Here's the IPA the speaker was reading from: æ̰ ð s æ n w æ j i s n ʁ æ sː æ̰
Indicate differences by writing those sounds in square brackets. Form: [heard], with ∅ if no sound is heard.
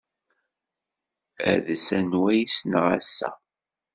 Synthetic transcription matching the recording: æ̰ ð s æ n w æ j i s n ʁ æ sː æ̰